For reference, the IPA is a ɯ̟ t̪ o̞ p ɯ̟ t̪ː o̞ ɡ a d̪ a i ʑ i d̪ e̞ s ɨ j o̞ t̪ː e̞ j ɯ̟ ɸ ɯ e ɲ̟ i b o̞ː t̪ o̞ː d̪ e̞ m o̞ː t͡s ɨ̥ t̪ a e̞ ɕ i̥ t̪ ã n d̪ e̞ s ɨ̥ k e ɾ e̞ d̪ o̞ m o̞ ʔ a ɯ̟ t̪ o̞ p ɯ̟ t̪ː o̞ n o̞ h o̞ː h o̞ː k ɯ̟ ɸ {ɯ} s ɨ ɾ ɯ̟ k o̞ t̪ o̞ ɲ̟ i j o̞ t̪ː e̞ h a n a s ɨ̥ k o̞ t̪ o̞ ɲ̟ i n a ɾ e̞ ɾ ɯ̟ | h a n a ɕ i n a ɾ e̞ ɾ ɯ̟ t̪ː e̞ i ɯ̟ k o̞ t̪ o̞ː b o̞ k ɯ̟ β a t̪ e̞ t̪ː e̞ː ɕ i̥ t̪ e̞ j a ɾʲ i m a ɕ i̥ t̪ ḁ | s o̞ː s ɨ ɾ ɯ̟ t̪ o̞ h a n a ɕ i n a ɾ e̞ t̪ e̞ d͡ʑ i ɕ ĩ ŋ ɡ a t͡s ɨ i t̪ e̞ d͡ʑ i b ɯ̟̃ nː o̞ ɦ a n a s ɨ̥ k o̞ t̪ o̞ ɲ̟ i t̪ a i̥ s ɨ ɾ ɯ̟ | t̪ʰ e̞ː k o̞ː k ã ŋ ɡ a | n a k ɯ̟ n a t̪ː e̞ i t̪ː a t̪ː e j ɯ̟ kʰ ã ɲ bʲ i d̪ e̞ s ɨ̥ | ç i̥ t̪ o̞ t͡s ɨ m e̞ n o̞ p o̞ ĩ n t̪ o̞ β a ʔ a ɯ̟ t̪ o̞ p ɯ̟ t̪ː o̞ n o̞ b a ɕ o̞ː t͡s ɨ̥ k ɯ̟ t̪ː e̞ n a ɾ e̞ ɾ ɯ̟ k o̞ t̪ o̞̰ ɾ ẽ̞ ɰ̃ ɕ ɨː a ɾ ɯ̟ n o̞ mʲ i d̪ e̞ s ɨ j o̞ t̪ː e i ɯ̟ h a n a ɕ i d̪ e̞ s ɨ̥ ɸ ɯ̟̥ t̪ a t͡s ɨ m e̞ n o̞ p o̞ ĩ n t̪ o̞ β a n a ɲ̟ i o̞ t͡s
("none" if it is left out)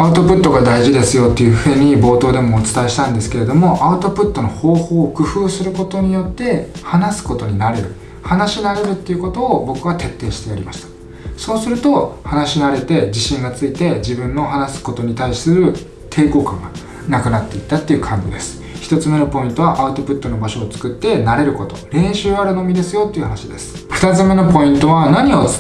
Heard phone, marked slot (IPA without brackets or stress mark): ɯː